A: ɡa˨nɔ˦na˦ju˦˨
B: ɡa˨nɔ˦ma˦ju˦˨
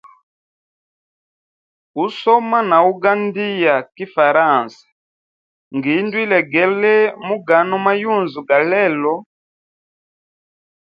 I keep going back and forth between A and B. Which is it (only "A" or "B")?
B